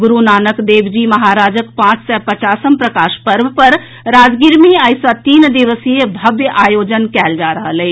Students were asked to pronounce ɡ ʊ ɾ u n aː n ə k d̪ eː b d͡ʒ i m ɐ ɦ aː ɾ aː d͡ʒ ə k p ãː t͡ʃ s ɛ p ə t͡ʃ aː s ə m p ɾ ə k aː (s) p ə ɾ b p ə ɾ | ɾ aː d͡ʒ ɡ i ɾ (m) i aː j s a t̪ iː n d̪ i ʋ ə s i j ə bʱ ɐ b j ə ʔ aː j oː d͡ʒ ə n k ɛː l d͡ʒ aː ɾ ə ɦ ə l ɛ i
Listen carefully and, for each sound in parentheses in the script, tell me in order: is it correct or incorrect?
incorrect: ʃ, correct

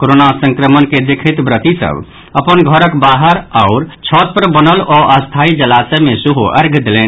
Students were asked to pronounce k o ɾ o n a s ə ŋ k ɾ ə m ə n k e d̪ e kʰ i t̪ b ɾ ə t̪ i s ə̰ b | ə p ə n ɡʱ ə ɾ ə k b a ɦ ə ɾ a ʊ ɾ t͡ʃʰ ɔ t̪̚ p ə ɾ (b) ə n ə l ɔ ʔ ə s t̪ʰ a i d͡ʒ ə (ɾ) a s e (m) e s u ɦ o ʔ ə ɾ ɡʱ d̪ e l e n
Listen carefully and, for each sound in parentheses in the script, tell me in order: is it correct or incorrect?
correct, incorrect: l, correct

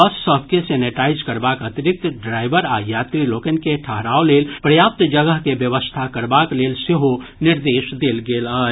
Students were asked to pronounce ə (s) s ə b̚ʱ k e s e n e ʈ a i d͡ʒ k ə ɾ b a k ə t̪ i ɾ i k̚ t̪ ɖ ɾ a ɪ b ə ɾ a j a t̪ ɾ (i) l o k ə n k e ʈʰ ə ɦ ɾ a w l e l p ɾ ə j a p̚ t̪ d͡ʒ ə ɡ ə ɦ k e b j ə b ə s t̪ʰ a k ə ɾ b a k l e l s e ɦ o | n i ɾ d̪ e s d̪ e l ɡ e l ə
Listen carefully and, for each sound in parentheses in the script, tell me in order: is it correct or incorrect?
correct, correct

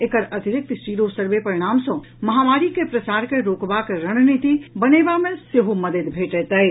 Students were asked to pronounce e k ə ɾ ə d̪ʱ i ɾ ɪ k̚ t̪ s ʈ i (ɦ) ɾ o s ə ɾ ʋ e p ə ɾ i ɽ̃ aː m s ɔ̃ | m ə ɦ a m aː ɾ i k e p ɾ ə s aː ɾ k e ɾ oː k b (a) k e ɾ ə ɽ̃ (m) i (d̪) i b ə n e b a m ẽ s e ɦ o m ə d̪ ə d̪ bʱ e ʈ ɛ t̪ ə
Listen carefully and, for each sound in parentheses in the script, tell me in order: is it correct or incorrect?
incorrect: none, correct, incorrect: n, incorrect: t̪

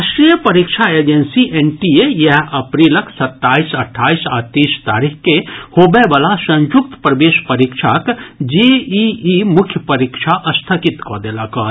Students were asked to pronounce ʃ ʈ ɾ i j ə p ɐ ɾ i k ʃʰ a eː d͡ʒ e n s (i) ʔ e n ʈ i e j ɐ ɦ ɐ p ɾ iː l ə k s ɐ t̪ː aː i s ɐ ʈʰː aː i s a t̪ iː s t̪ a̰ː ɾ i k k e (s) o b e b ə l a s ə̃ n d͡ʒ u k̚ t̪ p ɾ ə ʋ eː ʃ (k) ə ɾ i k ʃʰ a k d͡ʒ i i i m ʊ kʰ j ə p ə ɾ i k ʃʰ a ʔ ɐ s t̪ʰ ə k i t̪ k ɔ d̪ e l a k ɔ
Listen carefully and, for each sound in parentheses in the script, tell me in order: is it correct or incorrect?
correct, incorrect: h, incorrect: p

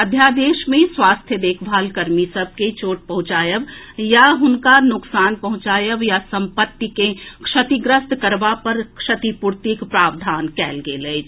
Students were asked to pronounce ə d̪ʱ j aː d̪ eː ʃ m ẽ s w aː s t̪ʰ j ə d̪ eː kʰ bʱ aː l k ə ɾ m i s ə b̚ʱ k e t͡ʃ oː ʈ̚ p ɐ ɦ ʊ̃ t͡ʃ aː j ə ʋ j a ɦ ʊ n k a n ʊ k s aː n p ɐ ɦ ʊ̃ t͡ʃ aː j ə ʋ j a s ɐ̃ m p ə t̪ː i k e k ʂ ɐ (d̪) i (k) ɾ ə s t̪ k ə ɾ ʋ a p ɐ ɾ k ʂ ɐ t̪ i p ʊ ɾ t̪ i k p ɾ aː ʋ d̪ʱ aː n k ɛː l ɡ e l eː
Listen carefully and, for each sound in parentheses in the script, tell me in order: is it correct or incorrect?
incorrect: t̪, incorrect: ɡ

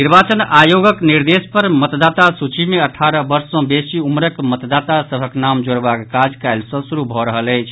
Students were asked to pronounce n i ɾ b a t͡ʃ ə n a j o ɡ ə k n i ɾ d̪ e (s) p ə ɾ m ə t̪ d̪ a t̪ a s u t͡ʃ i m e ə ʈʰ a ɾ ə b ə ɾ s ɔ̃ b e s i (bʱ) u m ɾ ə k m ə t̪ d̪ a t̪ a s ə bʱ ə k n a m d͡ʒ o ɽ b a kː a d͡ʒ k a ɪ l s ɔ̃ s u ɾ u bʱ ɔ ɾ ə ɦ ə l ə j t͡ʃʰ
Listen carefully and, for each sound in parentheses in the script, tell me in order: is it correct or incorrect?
correct, incorrect: none

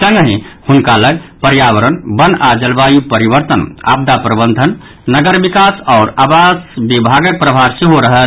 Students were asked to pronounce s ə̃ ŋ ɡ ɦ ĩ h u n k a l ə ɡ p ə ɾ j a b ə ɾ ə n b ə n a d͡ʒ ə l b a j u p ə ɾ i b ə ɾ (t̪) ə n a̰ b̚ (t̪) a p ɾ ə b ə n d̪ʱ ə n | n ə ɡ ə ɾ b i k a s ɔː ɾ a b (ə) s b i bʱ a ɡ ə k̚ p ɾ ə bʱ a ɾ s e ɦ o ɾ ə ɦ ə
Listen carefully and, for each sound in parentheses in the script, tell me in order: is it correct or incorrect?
correct, incorrect: d̪, incorrect: a

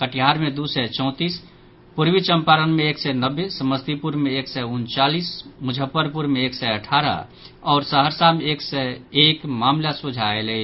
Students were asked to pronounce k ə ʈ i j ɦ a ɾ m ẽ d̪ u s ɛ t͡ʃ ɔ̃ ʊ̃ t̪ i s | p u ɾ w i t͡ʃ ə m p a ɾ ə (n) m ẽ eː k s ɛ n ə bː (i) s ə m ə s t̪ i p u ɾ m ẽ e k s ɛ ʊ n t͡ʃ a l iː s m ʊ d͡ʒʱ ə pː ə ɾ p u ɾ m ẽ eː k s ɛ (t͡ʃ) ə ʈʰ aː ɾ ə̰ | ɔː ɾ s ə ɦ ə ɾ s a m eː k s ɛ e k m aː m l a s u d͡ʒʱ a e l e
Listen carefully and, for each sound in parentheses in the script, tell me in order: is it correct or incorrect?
correct, incorrect: e, incorrect: none

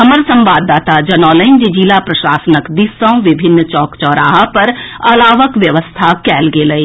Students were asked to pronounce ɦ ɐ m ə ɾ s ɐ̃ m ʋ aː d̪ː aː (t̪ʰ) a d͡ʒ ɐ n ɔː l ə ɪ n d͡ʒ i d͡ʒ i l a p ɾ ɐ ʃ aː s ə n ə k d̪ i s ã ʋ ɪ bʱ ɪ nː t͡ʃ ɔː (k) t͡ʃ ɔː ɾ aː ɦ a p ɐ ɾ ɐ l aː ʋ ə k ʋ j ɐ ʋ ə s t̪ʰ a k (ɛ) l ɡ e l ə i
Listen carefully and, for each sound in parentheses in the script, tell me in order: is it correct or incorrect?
incorrect: t̪, correct, incorrect: ɛː

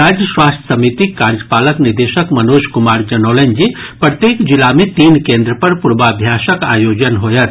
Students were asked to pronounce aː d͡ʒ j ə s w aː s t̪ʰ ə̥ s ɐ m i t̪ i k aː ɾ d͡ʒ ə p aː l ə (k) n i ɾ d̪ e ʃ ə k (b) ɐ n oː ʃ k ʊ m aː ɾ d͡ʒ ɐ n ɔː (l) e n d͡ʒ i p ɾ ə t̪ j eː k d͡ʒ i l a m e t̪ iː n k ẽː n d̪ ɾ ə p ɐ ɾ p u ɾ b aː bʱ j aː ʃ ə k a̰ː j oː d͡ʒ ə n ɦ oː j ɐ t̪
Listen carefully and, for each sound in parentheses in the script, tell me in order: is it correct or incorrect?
correct, incorrect: m, correct

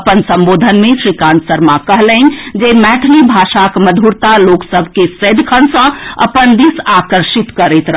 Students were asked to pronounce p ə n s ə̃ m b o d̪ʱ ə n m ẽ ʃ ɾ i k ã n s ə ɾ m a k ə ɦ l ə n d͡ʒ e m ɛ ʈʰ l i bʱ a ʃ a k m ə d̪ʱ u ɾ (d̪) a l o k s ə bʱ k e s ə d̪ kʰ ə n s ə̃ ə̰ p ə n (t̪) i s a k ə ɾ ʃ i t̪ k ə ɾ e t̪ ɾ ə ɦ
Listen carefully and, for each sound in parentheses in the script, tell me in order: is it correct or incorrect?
incorrect: t̪, incorrect: d̪

